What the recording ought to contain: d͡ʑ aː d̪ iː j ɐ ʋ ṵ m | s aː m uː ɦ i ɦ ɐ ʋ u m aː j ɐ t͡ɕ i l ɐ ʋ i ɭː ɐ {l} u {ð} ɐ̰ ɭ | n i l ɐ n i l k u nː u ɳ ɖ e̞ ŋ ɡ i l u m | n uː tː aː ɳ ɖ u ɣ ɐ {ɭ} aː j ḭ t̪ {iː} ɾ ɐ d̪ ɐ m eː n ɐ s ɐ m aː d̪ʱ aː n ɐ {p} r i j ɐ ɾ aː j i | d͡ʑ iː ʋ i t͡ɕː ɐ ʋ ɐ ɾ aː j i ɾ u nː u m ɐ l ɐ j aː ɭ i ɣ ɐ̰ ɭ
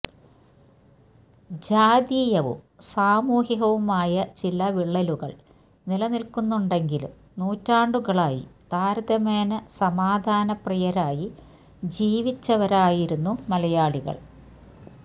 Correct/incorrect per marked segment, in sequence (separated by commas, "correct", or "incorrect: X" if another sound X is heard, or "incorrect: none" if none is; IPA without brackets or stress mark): correct, incorrect: ɣ, correct, incorrect: aː, correct